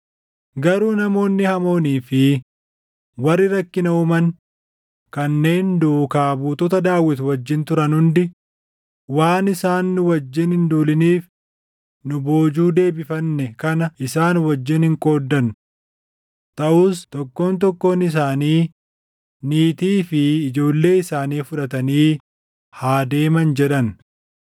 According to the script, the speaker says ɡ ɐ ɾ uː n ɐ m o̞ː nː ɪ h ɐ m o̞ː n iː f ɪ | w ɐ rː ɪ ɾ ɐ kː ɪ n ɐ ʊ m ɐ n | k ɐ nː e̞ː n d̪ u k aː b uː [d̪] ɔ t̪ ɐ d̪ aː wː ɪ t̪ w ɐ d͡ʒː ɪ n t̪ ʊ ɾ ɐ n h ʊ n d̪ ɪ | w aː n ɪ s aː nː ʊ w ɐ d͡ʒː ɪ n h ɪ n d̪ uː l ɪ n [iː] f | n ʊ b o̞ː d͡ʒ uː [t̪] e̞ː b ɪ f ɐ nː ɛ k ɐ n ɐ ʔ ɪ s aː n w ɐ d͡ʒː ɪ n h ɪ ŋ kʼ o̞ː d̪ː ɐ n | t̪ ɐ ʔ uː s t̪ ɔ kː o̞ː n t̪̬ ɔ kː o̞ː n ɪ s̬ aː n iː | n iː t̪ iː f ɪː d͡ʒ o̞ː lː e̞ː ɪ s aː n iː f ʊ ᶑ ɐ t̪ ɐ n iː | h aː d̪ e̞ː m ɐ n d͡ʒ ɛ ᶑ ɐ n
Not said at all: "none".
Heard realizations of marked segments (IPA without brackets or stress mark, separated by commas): t̪, iː, d̪